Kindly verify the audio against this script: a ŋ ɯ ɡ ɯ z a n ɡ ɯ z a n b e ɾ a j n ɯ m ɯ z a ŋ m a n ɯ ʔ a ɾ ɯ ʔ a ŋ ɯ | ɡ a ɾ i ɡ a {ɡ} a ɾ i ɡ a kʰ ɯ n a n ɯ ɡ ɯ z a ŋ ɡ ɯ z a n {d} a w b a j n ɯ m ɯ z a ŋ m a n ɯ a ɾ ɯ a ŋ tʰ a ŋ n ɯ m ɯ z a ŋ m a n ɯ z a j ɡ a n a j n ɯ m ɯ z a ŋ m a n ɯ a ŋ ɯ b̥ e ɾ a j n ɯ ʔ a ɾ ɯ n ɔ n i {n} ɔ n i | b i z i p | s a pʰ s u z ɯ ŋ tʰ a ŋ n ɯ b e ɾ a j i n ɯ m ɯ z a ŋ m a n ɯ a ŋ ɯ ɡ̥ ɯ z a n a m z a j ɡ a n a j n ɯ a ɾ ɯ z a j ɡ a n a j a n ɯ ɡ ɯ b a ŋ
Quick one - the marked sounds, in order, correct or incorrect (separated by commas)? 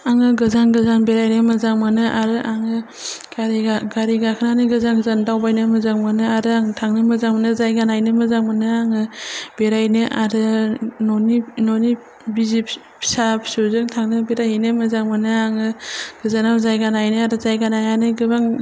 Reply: correct, correct, correct